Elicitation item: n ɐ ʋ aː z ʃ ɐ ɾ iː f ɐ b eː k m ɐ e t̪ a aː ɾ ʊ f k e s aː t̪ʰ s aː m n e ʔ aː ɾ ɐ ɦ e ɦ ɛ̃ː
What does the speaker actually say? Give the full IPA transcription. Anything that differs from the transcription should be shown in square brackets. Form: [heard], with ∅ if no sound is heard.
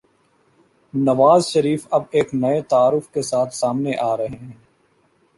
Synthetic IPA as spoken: n ɐ ʋ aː z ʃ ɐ ɾ iː f ɐ b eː k [n] ɐ e t̪ a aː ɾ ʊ f k e s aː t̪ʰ s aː m n e ʔ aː ɾ ɐ ɦ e ɦ ɛ̃ː